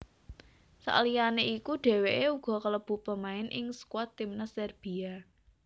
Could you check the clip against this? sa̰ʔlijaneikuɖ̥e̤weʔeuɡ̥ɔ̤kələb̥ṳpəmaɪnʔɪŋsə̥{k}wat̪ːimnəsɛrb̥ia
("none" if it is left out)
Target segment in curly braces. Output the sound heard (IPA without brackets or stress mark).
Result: k